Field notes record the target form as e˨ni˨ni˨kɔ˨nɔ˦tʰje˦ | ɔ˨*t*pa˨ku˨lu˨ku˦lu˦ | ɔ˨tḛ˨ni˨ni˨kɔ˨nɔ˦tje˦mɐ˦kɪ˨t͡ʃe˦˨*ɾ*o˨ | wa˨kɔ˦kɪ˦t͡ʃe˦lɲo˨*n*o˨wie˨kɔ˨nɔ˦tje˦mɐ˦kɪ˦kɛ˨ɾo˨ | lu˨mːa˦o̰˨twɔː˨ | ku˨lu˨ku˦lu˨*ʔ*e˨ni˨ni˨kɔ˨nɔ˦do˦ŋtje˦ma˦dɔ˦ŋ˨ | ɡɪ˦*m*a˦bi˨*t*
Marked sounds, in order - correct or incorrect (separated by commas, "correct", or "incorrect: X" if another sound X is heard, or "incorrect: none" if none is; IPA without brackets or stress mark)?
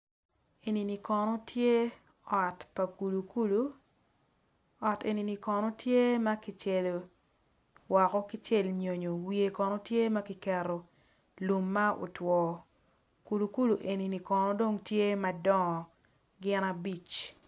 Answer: correct, incorrect: l, incorrect: ɲ, correct, incorrect: n, incorrect: t͡ʃ